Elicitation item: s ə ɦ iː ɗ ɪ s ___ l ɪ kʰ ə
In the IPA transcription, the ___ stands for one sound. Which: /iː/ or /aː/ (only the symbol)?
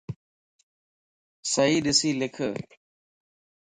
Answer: iː